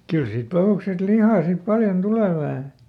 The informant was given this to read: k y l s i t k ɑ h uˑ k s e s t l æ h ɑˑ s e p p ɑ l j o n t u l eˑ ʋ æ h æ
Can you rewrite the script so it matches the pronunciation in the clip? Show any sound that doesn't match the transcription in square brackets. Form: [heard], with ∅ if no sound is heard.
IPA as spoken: k y l s [iː] t [p] ɑ h uˑ k s e s t l [i] h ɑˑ s [i] p p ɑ l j o n t u l eˑ ʋ æ h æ